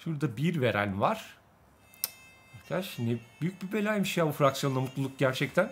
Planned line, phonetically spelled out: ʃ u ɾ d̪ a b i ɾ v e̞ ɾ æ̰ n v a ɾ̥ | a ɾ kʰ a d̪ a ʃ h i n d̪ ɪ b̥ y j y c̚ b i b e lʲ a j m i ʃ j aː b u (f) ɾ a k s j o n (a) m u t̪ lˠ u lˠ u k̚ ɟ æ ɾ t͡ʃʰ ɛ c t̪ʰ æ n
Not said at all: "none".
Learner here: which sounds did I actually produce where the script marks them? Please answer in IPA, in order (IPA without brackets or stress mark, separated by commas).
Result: f, a